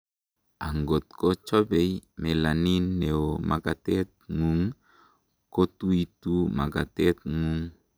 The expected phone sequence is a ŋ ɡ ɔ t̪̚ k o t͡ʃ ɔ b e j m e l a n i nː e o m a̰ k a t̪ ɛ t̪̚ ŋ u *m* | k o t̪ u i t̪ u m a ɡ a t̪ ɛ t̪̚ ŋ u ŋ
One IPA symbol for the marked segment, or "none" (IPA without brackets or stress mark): ŋ